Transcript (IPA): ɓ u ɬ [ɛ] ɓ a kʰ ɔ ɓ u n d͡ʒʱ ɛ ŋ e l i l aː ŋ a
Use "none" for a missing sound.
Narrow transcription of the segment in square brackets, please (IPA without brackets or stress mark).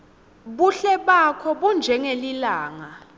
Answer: ɛ